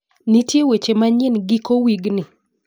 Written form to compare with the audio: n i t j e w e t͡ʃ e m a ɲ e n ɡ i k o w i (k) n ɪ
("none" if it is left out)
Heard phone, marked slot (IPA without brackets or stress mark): ɡ